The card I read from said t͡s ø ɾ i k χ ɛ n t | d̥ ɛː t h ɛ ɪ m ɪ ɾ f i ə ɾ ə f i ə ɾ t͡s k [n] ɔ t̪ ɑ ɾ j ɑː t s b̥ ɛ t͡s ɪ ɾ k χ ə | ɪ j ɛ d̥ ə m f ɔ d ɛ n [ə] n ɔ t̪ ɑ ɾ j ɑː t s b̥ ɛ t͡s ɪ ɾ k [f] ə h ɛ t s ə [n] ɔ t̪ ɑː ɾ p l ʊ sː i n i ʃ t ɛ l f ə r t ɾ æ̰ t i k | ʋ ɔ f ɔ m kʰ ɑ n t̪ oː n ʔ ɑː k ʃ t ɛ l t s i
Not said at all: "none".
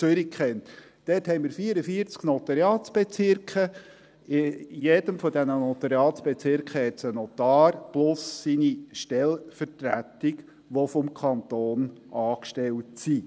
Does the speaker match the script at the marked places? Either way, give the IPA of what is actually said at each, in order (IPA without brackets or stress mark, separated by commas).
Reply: n, ə, χ, n